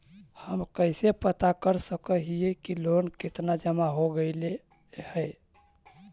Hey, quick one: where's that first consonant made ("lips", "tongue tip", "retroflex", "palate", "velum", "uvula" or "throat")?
throat